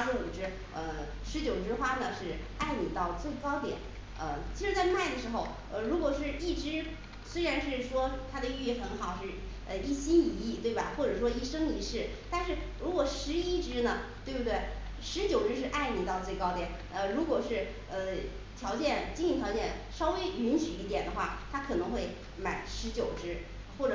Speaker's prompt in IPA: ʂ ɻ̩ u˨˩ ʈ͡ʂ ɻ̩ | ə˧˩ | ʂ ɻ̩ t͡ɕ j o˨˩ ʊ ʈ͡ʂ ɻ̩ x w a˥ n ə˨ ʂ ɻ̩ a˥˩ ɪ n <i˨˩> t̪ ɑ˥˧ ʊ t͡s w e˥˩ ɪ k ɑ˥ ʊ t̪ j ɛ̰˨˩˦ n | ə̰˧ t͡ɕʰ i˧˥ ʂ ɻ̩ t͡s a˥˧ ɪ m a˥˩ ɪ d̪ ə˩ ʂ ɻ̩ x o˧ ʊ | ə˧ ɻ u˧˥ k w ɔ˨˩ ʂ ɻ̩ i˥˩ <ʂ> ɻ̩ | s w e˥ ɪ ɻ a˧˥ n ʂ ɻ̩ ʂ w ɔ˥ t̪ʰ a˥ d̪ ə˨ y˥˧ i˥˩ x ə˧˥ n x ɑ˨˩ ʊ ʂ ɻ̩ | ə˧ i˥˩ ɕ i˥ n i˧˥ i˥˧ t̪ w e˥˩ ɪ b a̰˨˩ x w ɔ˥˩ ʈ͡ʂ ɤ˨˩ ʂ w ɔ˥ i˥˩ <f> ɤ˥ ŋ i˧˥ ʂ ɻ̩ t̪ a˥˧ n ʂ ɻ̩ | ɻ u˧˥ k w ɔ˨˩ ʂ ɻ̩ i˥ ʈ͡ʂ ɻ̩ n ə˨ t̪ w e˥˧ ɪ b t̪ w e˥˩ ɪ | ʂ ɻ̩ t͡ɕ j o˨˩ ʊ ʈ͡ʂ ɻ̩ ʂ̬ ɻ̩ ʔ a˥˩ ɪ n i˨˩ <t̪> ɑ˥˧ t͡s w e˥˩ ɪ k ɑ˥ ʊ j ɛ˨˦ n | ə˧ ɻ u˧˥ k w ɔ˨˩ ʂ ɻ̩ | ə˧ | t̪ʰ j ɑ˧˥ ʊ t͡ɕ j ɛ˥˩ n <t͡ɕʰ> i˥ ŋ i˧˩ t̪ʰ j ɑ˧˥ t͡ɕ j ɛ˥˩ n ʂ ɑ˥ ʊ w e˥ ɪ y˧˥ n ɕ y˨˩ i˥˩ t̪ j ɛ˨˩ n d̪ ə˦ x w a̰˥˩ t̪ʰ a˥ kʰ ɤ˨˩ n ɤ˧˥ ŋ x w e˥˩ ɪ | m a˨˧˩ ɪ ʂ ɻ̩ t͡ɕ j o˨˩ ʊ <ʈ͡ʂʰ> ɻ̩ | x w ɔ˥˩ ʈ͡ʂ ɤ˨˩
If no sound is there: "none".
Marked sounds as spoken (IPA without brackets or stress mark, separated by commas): i˨˩, ʈ͡ʂ, ʂ, t̪, t͡ɕ, ʈ͡ʂ